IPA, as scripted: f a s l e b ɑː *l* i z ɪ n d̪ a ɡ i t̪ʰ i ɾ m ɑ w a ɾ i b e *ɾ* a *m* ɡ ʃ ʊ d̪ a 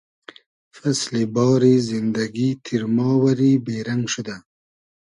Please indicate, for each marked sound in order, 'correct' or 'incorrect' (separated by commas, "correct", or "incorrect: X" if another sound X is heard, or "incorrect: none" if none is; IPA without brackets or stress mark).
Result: incorrect: ɾ, correct, incorrect: ŋ